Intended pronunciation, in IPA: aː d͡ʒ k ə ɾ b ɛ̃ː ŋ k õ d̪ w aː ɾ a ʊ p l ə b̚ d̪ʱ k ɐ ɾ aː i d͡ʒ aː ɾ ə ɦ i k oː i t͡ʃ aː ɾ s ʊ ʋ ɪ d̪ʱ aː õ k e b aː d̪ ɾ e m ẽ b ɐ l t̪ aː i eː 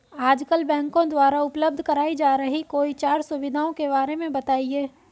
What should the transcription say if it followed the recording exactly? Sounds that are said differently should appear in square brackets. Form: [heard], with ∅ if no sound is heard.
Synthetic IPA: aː d͡ʒ k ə [l] b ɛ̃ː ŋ k õ d̪ w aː ɾ a ʊ p l ə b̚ d̪ʱ k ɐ ɾ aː i d͡ʒ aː ɾ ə ɦ i k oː i t͡ʃ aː ɾ s ʊ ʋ ɪ d̪ʱ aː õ k e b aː [∅] ɾ e m ẽ b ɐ [∅] t̪ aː i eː

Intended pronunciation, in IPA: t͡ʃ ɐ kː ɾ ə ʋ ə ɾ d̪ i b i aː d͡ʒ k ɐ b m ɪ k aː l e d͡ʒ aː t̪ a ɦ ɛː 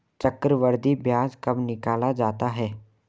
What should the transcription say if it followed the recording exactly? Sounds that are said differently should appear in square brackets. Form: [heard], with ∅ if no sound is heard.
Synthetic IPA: t͡ʃ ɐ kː ɾ ə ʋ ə ɾ d̪ i b [j] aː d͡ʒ k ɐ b [n] ɪ k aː l [a] d͡ʒ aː t̪ a ɦ ɛː

